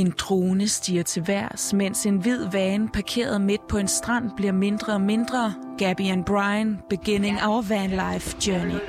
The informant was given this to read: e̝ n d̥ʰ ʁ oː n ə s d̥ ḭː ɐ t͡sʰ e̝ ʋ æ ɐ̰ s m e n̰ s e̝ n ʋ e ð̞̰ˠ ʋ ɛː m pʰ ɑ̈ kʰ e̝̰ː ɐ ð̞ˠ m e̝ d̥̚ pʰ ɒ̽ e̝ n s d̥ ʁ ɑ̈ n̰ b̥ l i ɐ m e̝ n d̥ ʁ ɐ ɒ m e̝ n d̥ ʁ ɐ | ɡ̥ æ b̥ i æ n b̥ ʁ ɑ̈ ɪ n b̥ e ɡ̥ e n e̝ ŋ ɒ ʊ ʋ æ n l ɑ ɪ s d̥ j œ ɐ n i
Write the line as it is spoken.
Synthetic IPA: e̝ n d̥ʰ ʁ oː n ə s d̥ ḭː ɐ t͡sʰ e̝ ʋ æ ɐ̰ s m e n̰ s e̝ n ʋ i ð̞̰ˠ ʋ ɛː n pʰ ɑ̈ kʰ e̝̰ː ɐ ð̞ˠ m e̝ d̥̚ pʰ ɒ̽ e̝ n s d̥ ʁ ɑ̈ n̰ b̥ l i ɐ m e̝ n d̥ ʁ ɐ ɒ m e̝ n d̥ ʁ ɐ | ɡ̥ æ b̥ i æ n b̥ ʁ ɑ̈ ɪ n b̥ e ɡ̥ e n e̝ ŋ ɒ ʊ ʋ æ n l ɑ ɪ f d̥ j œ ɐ n i